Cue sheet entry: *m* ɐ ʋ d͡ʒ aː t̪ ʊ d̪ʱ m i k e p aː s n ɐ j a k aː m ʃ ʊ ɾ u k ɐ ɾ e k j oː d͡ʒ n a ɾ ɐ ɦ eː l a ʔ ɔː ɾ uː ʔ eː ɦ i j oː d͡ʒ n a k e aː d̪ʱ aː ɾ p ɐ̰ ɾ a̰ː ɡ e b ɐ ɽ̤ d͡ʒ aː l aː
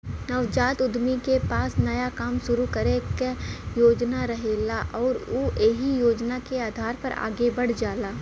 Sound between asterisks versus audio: incorrect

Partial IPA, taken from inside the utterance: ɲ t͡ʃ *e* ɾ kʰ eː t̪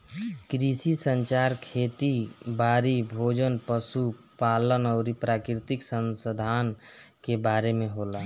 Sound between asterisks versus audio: incorrect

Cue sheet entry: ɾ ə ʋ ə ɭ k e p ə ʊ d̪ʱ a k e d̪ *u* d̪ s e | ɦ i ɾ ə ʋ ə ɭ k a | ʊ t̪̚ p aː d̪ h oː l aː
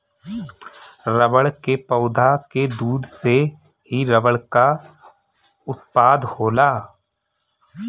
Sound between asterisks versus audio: incorrect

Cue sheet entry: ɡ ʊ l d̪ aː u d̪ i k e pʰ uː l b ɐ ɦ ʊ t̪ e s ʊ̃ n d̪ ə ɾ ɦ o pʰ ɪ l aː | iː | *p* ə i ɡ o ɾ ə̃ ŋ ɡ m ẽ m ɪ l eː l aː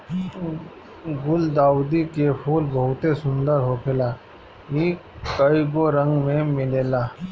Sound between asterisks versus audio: incorrect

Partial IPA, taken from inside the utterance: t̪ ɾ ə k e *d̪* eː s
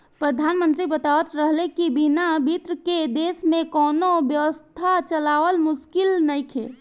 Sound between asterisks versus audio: correct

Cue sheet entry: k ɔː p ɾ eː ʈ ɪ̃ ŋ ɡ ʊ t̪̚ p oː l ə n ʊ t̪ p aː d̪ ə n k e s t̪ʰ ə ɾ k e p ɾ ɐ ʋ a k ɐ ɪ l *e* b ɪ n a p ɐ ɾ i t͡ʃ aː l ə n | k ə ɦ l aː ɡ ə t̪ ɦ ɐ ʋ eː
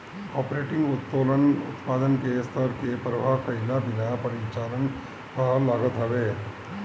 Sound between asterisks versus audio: incorrect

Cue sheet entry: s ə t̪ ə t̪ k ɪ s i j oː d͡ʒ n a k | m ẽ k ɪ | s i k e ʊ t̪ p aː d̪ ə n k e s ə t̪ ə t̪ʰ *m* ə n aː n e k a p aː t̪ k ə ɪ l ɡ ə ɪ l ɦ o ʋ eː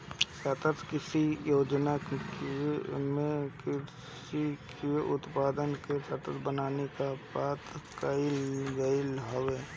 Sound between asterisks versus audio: incorrect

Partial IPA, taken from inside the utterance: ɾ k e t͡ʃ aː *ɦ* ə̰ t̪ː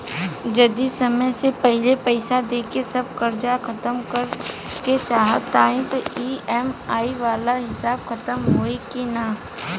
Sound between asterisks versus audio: correct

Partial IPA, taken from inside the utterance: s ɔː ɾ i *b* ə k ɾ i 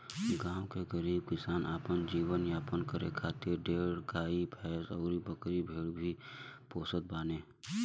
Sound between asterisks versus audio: correct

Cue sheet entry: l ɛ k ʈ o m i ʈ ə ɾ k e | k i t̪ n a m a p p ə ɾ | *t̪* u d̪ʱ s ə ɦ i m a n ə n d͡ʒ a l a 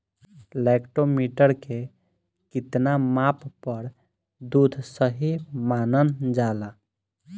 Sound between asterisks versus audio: incorrect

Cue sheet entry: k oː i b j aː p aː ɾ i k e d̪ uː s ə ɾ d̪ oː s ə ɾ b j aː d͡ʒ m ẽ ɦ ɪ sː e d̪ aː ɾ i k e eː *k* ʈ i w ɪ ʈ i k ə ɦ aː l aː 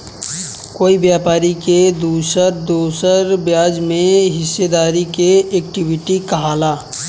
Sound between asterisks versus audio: correct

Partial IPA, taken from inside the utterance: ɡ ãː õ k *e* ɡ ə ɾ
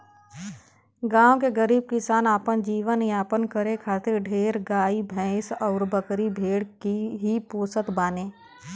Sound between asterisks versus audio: correct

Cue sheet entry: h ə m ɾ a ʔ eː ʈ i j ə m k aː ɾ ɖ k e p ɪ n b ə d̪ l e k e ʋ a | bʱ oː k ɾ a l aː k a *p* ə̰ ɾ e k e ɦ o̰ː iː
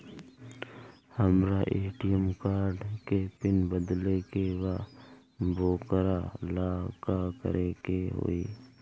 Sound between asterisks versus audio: incorrect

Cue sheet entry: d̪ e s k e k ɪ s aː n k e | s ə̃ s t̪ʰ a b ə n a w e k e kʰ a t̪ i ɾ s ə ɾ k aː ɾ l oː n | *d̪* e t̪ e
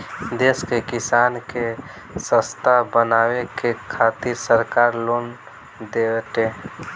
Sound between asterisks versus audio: correct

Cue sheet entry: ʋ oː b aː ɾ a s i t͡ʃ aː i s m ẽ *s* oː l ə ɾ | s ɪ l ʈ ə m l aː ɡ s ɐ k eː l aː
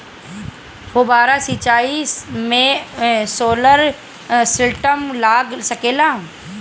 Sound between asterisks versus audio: correct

